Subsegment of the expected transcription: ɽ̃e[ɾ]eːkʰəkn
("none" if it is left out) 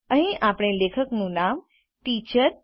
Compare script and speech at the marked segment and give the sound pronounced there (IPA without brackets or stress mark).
l